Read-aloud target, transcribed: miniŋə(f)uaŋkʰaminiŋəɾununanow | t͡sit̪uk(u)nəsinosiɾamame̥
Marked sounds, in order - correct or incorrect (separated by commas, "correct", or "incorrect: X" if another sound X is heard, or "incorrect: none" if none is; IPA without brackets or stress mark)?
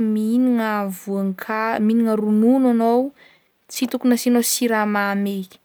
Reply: incorrect: v, correct